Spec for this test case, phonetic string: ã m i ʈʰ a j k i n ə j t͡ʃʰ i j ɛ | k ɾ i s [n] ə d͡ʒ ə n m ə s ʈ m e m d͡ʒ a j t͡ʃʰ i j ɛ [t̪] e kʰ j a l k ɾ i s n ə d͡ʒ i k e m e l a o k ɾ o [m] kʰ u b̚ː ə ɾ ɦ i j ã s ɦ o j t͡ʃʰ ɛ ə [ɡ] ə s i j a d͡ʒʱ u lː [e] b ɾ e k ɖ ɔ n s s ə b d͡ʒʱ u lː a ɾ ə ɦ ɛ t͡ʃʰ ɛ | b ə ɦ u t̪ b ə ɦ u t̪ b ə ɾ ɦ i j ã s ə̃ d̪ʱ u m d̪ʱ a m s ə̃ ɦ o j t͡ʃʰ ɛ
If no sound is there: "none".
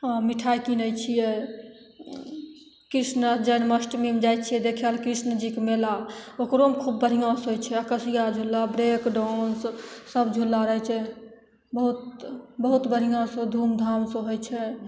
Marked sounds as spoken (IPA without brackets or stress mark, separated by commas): n, d̪, m, k, a